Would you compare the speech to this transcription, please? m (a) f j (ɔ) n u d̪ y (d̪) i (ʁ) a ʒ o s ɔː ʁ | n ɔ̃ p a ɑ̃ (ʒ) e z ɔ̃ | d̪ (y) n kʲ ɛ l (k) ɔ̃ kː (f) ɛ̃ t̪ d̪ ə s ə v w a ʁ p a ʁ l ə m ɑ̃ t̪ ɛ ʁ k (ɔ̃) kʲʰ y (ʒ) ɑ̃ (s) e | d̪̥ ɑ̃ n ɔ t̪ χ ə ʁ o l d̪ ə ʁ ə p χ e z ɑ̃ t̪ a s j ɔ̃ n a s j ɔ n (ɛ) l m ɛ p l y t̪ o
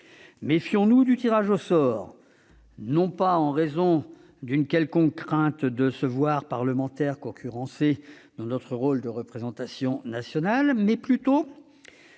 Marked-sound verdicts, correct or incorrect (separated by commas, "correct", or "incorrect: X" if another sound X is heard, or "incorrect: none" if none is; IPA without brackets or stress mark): incorrect: e, incorrect: ɔ̃, incorrect: t̪, correct, incorrect: ʁ, correct, correct, incorrect: χ, correct, incorrect: ʁ, correct, incorrect: a